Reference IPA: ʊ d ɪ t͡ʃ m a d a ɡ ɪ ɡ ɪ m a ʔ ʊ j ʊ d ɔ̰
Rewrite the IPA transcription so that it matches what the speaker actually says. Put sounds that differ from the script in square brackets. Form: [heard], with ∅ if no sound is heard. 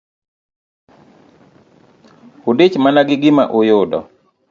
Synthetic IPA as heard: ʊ d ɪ t͡ʃ m a [n] a ɡ ɪ ɡ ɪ m a ʔ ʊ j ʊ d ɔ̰

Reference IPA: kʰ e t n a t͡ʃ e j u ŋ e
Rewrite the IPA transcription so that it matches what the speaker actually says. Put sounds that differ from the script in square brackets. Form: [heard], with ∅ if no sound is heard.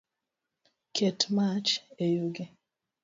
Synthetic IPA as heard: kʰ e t [m] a t͡ʃ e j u [ɡ] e

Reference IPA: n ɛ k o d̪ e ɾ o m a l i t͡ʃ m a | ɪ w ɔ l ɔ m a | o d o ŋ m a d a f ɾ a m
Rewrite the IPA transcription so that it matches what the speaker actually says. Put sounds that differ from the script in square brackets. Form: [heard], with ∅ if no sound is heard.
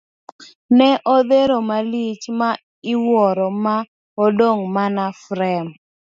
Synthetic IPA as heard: n ɛ [ʔ] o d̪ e ɾ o m a l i t͡ʃ m a | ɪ w ɔ [ɾ] ɔ m a | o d o ŋ m a [n] a f ɾ [ɛ] m

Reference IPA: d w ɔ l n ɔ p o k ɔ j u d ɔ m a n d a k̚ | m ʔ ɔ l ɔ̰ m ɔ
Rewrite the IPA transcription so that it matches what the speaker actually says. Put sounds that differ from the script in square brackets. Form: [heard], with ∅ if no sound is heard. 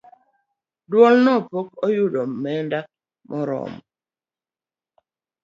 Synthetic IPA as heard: d w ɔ l n ɔ p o k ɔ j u d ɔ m [ɛ] n d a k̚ | m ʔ ɔ [ɾ] ɔ̰ m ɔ

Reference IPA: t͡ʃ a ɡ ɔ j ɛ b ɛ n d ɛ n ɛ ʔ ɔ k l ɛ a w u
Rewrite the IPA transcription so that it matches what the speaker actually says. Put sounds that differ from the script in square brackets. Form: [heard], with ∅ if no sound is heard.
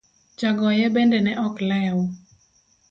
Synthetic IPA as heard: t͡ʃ a ɡ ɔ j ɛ b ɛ n d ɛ n ɛ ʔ ɔ k l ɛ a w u

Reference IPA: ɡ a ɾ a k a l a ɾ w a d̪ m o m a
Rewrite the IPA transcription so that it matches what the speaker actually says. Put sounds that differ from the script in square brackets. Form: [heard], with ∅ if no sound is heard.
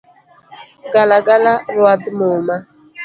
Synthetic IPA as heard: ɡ a [l] a [ɡ] a l a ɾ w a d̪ m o m a

